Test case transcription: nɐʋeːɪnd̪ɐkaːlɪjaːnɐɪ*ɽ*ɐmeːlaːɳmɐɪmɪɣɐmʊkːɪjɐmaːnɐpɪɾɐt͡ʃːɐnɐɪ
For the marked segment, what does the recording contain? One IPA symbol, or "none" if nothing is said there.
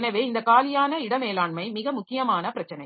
ɽ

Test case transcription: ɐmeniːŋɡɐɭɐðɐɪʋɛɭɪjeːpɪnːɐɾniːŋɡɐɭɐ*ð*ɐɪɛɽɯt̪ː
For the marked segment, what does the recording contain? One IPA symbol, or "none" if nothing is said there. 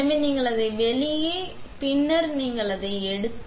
ð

